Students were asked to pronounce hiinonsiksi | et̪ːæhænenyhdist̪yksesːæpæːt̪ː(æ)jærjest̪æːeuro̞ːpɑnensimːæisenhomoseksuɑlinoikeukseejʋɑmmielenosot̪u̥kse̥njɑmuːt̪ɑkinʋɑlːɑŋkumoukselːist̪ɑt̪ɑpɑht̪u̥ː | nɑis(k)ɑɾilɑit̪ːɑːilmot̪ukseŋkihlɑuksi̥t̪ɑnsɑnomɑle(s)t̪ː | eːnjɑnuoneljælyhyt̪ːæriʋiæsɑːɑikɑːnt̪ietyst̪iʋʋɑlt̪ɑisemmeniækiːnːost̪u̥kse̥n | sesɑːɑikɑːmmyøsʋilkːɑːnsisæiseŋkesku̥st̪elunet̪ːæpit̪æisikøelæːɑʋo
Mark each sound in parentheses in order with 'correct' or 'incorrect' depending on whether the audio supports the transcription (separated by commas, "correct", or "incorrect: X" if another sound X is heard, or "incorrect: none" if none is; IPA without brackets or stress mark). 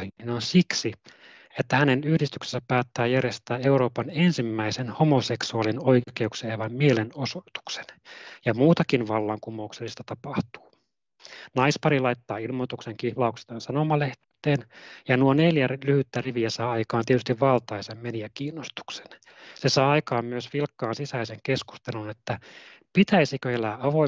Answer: incorrect: æː, incorrect: p, incorrect: h